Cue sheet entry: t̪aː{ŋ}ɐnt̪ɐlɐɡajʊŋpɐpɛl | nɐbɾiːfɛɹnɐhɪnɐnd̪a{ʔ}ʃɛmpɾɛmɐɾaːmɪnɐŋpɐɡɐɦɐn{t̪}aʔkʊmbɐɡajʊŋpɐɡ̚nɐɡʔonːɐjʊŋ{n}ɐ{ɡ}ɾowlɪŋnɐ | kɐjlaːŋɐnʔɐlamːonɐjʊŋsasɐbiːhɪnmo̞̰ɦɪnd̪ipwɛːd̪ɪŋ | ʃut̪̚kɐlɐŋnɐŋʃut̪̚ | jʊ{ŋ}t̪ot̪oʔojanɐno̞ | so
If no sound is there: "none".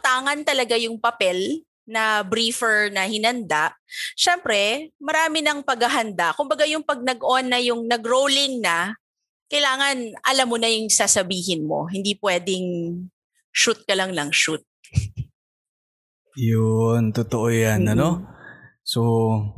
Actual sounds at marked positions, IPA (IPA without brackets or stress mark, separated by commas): ŋ, ʔ, d̪, n, ɡ, n